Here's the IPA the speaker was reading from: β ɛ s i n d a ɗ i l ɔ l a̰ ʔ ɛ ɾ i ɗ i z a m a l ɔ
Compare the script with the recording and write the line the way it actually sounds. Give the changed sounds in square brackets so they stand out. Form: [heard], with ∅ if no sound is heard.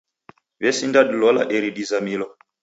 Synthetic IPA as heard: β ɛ s i n d a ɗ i l ɔ l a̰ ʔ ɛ ɾ i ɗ i z a m [i] l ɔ